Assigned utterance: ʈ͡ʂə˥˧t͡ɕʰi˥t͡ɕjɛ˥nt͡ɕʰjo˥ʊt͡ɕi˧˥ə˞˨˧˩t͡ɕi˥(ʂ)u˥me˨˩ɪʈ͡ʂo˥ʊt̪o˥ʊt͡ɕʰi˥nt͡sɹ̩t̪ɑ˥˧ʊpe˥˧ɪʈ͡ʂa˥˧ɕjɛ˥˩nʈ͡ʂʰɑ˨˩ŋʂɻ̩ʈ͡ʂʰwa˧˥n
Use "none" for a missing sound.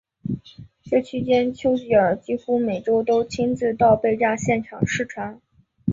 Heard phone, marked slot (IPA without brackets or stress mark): x